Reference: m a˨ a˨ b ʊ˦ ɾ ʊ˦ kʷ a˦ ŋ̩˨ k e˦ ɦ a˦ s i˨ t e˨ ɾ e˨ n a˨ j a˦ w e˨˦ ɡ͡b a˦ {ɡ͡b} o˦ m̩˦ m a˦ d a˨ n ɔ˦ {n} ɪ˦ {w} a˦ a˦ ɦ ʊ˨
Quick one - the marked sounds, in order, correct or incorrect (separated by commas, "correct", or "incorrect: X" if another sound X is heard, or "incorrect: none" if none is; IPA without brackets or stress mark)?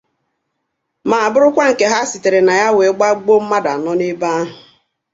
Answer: correct, correct, incorrect: b